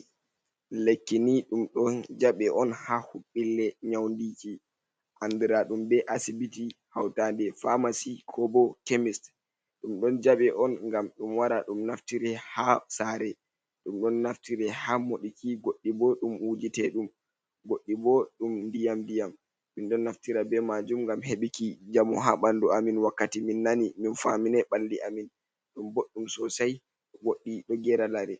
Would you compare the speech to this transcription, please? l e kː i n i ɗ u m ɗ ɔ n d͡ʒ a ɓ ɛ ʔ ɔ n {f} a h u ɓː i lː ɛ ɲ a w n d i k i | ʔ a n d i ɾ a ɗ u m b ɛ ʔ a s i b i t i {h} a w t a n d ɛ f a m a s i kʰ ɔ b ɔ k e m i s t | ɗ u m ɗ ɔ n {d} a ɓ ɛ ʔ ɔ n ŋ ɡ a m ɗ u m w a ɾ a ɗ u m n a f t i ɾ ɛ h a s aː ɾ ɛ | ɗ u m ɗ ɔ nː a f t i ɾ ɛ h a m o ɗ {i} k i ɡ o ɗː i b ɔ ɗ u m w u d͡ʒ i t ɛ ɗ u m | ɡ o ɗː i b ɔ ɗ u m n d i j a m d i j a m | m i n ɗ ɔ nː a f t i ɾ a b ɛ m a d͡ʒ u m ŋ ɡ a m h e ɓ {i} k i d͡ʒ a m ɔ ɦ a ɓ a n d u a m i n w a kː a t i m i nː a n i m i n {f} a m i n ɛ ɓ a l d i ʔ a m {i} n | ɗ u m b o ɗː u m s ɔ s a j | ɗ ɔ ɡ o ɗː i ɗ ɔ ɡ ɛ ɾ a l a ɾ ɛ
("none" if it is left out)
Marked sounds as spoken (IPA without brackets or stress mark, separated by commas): h, h, d͡ʒ, i, i, f, i